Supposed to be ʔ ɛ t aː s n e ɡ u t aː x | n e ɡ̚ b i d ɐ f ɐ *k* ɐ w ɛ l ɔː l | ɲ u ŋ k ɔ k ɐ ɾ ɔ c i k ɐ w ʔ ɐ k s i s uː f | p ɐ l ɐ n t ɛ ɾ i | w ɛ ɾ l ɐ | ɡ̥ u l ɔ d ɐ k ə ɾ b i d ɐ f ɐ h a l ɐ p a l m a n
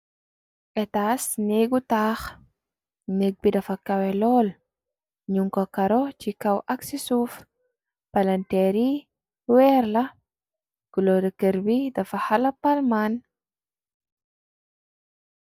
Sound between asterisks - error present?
no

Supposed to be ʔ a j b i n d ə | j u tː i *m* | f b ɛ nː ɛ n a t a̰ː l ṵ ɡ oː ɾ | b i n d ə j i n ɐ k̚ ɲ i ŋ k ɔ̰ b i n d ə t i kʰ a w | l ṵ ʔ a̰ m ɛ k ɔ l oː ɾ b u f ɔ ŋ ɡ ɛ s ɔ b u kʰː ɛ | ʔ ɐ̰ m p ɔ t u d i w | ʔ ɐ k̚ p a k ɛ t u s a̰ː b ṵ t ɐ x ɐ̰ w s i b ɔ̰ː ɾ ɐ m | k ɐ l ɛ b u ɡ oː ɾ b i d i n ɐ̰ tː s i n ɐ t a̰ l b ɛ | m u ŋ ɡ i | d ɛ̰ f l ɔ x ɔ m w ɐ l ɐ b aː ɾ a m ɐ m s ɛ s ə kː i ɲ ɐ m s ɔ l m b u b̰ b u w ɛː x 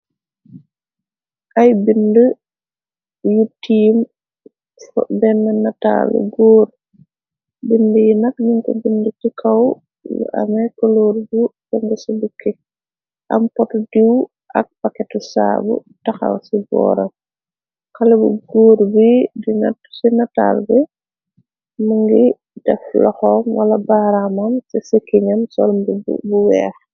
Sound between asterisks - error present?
no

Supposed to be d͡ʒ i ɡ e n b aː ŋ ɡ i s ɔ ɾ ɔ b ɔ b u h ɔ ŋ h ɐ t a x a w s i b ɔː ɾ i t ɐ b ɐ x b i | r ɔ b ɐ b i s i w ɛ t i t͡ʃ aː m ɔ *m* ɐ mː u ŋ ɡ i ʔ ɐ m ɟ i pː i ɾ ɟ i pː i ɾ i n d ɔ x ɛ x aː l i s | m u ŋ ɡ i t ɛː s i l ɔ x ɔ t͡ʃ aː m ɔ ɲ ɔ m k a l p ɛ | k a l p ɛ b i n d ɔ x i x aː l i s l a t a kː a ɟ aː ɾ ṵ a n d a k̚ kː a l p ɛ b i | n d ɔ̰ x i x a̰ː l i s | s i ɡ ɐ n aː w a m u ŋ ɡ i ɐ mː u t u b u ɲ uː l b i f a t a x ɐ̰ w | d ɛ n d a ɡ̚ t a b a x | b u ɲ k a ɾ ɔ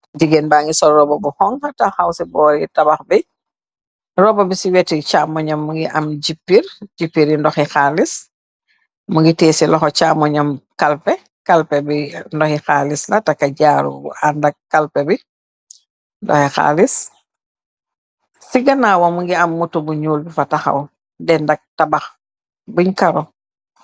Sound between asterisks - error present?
yes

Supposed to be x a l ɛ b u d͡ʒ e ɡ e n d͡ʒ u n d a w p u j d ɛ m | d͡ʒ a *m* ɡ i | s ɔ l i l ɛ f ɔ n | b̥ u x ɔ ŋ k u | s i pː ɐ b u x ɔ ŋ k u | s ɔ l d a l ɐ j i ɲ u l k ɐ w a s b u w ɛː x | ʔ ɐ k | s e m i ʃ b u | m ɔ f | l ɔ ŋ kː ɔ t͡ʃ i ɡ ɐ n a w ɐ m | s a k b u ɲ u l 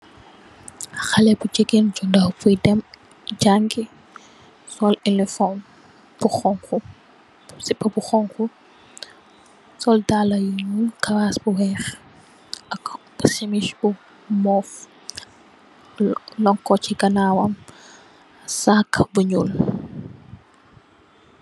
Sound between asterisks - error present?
yes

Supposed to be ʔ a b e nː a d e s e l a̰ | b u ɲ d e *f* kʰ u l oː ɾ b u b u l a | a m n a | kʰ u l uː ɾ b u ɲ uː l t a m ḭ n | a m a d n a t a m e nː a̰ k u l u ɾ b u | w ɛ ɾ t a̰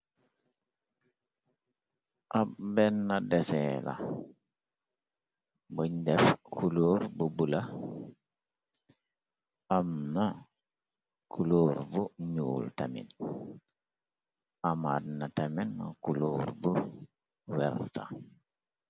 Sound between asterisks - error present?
no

